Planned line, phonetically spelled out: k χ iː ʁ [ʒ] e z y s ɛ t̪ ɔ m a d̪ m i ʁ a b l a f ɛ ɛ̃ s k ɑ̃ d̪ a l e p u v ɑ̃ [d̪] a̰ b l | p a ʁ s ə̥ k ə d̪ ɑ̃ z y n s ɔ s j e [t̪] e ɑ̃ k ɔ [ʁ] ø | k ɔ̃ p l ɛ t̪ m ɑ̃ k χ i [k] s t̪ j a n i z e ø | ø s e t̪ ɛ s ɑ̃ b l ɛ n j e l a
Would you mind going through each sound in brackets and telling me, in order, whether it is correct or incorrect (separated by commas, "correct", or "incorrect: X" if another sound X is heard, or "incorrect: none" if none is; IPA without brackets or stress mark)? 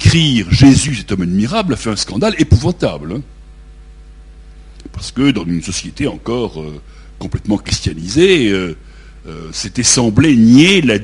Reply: correct, incorrect: t̪, correct, correct, incorrect: none